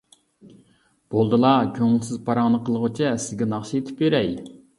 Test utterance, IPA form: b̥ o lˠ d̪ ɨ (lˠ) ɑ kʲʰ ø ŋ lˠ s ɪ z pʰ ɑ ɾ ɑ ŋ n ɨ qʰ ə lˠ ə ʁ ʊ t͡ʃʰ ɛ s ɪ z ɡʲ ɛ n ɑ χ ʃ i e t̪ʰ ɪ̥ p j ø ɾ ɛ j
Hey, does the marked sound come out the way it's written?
yes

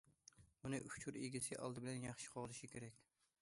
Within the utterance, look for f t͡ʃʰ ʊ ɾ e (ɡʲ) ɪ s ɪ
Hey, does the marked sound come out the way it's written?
yes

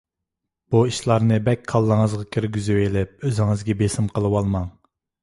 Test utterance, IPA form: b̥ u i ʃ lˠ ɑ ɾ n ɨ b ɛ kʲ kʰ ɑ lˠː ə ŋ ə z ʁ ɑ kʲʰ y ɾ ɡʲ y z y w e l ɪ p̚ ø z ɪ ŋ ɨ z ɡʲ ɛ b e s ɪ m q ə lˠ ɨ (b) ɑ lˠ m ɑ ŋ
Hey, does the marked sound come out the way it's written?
no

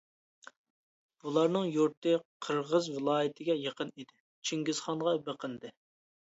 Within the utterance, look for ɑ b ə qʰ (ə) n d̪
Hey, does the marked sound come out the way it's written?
yes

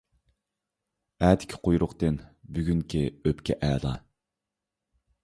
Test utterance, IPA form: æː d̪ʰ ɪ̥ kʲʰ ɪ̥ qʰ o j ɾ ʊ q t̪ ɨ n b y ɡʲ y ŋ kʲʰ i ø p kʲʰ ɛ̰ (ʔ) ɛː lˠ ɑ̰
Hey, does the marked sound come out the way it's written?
yes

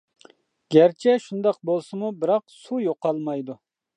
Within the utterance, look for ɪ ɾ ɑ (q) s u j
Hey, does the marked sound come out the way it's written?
yes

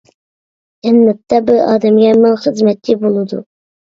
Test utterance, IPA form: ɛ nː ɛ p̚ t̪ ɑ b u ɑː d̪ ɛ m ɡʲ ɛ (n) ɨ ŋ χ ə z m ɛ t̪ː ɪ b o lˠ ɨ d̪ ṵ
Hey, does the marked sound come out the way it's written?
no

